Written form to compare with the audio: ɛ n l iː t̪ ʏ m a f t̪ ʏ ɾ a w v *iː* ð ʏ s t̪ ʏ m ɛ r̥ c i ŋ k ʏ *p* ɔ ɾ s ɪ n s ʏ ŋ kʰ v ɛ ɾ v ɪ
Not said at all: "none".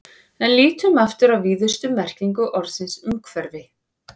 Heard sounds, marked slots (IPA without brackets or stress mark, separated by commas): iː, ʔ